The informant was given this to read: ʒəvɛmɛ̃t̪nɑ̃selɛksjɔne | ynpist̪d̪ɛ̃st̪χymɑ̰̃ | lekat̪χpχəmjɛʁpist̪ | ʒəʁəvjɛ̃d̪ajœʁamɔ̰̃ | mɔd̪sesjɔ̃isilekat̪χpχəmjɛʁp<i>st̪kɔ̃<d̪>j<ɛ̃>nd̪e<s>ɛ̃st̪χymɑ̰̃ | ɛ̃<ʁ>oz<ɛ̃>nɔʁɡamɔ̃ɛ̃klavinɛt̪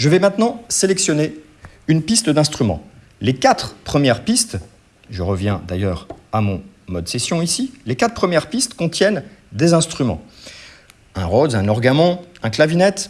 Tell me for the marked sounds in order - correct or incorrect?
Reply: correct, incorrect, incorrect, incorrect, correct, correct

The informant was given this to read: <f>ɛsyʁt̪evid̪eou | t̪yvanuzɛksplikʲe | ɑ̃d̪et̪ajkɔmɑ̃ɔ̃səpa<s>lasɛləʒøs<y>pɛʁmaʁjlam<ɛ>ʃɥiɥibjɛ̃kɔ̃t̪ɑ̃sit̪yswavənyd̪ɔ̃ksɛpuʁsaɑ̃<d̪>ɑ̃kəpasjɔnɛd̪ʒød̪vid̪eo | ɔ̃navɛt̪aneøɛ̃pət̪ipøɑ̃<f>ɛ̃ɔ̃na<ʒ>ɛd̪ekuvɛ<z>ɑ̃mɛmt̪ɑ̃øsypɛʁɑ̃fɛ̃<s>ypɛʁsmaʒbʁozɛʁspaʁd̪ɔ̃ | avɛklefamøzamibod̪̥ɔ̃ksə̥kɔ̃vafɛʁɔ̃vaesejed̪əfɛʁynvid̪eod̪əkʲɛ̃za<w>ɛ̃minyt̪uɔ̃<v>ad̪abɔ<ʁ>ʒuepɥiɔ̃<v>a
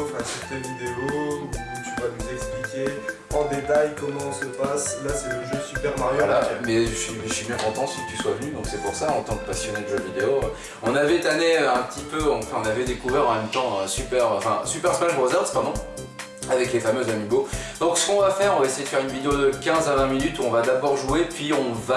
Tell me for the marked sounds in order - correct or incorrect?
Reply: correct, correct, correct, correct, incorrect, correct, incorrect, incorrect, correct, incorrect, correct, correct, correct

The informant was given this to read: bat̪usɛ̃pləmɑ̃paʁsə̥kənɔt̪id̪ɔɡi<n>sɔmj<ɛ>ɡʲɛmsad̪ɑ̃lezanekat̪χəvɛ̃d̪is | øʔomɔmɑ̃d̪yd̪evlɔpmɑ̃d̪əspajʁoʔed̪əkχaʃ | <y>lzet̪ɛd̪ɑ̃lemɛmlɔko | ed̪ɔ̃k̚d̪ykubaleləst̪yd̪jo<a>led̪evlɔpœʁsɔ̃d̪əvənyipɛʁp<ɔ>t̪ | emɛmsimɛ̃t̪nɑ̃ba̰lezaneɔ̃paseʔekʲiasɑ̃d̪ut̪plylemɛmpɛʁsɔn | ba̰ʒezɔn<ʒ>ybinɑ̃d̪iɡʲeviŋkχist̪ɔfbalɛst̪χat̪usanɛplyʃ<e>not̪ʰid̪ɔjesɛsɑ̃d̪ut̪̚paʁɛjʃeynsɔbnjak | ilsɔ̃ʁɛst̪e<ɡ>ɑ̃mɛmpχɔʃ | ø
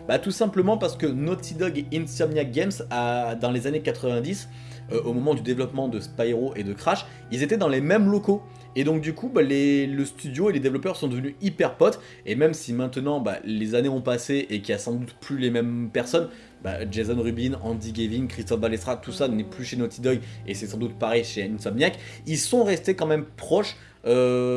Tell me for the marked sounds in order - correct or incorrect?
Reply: correct, incorrect, incorrect, incorrect, correct, incorrect, correct, incorrect

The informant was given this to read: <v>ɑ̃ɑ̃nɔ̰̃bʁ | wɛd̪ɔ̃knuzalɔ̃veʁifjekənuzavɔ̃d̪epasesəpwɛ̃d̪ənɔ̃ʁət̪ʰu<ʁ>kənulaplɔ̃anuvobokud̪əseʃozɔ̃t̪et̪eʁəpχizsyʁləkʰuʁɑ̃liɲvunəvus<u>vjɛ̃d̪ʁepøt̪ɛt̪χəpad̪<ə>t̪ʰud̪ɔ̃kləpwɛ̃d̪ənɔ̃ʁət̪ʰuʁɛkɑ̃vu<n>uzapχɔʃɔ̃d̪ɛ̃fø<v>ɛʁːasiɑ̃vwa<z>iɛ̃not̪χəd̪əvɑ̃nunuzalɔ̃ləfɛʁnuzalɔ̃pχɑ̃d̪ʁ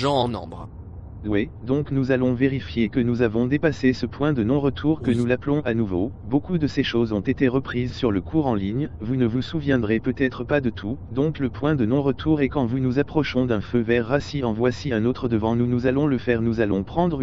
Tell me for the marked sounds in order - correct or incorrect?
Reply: incorrect, correct, correct, correct, correct, correct, incorrect

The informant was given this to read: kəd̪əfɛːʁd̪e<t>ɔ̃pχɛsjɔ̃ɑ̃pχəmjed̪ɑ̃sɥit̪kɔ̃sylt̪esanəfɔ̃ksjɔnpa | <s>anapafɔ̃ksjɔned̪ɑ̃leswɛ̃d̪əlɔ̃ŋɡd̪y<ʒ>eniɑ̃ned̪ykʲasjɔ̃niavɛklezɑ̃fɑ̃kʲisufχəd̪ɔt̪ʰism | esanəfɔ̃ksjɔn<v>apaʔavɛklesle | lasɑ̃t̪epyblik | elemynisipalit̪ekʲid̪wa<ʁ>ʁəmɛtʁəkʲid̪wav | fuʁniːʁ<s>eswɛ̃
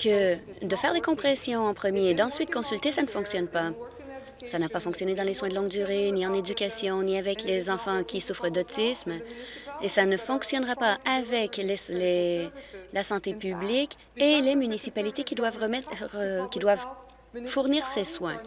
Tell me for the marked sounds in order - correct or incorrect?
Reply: incorrect, correct, incorrect, incorrect, incorrect, correct

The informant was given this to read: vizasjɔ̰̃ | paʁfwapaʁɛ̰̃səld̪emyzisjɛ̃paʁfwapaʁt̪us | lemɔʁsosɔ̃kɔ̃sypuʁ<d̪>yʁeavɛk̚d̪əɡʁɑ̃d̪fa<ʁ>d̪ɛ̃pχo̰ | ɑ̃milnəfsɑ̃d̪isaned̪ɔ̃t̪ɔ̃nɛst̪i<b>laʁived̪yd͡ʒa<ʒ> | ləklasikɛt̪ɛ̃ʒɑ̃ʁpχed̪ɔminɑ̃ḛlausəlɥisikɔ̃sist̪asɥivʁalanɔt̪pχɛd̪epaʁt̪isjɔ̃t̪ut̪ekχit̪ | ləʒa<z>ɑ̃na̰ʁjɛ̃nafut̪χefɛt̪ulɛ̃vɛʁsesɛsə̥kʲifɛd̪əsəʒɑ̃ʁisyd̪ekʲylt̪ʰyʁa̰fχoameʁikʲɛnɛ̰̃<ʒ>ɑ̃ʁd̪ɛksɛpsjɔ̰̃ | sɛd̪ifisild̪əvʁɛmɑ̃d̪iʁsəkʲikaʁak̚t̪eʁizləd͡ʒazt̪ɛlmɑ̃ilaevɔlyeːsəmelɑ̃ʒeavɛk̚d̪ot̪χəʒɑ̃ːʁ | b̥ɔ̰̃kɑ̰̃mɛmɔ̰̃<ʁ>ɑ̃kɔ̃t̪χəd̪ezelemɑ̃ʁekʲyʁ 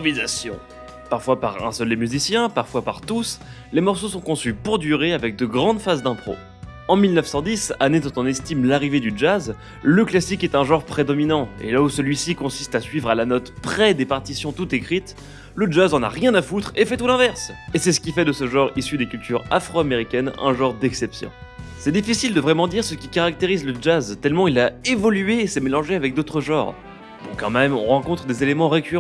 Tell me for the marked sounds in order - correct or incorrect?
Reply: correct, incorrect, incorrect, incorrect, correct, correct, correct

